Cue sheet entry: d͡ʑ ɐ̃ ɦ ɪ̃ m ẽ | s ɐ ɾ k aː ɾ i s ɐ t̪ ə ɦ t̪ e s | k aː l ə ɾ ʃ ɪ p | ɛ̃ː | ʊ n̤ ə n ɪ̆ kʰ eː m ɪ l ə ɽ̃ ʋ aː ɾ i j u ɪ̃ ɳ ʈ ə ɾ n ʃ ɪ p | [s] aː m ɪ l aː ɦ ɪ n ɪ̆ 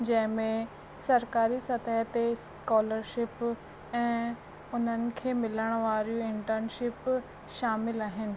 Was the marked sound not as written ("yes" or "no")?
yes